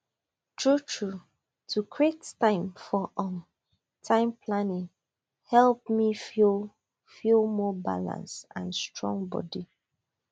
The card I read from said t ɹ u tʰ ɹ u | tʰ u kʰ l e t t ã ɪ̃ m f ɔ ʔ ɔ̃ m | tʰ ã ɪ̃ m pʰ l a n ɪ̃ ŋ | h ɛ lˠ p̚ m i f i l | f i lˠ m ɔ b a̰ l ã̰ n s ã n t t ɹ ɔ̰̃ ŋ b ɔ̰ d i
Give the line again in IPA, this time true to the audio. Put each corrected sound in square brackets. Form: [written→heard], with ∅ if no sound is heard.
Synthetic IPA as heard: t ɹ u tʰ ɹ u | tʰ u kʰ [l→ɹ] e t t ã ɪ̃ m f ɔ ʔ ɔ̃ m | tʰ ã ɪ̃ m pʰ l a n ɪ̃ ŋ | h ɛ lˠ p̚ m i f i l | f i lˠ m ɔ b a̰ l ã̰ n s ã n [t→s] t ɹ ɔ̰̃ ŋ b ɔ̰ d i